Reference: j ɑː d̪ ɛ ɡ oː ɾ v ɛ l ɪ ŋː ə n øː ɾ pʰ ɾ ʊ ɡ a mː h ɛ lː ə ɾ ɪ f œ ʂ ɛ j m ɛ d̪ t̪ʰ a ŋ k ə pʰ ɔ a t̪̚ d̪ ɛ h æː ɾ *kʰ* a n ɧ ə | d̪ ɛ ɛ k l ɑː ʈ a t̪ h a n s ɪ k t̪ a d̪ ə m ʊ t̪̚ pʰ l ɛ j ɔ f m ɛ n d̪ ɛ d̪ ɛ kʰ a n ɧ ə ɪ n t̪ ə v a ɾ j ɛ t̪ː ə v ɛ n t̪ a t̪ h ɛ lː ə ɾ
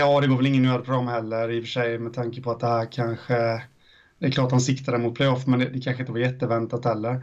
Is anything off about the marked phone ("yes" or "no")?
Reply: no